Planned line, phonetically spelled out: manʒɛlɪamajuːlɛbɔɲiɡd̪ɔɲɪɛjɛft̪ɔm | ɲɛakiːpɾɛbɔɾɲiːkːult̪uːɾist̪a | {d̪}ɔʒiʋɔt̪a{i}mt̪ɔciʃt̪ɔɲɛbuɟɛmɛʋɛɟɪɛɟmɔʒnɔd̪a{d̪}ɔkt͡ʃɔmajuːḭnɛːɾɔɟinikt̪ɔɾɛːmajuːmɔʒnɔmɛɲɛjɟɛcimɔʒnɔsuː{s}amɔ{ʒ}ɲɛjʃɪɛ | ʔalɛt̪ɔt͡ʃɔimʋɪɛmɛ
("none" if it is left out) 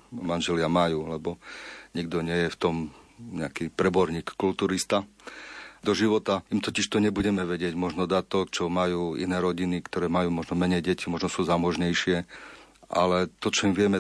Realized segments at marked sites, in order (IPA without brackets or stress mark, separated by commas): d̪, i, t̪, z, ʒ